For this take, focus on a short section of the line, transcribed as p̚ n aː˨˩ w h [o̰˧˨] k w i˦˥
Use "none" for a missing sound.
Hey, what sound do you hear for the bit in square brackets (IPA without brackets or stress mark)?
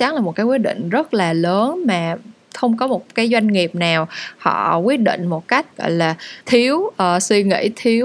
ɔ̰˧˨